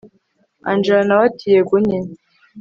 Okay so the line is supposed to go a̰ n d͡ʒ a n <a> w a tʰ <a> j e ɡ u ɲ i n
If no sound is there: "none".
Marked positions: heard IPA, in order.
a, i

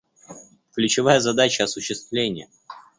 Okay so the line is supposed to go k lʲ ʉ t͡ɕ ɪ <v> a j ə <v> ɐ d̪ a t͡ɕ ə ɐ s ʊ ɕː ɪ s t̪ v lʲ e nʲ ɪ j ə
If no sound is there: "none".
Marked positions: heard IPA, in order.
v, z

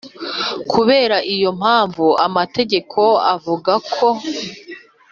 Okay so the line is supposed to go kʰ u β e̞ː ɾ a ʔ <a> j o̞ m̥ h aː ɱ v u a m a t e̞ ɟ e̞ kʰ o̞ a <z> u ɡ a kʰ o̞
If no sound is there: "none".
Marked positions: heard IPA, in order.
i, v

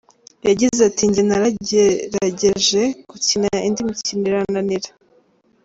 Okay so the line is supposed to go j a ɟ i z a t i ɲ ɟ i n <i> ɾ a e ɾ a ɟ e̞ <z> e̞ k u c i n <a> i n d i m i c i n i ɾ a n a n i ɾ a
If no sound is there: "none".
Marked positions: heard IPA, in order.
a, ʒ, a

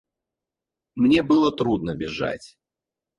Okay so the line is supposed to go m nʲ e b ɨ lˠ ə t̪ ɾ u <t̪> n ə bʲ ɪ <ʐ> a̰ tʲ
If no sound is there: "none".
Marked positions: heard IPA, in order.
d̪, ʐ

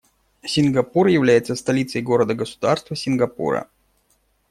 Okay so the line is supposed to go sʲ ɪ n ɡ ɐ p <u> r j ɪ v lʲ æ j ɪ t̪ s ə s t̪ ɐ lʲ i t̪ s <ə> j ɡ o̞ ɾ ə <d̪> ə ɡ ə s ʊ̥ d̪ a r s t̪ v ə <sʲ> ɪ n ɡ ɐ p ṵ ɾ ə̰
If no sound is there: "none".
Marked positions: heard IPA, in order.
u, ə, d̪, sʲ

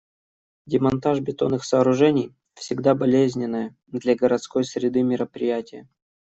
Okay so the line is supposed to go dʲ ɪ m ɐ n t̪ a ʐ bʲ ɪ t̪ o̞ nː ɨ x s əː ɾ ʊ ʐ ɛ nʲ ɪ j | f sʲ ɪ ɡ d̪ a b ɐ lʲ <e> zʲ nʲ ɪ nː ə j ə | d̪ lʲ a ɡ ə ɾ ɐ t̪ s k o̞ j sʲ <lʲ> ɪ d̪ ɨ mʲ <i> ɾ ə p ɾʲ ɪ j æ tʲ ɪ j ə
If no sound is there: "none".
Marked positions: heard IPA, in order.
e, ɾʲ, ɪ

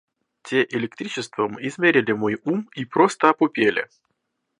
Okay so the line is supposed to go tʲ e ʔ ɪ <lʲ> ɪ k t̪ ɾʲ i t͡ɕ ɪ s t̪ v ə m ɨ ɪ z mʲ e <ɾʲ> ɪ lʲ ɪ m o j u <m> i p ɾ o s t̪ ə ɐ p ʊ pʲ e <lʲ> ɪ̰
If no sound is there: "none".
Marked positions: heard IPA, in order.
lʲ, ɾʲ, m, lʲ

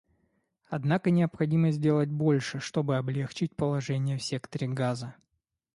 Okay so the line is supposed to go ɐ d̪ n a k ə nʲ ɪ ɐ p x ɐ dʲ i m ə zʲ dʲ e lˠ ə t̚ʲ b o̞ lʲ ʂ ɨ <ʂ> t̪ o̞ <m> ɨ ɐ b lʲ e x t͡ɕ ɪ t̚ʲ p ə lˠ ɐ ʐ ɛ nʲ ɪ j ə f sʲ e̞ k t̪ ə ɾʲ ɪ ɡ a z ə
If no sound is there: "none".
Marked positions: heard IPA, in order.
ʂ, b

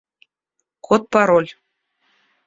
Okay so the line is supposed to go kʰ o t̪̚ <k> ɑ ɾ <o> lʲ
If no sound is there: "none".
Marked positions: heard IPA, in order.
p, o

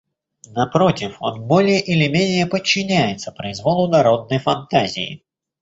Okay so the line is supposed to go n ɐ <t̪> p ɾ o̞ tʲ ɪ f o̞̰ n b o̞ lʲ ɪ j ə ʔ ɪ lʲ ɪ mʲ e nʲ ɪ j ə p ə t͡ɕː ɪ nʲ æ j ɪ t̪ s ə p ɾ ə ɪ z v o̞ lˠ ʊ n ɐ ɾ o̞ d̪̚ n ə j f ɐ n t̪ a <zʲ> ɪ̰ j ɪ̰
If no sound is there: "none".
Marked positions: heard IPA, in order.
none, zʲ

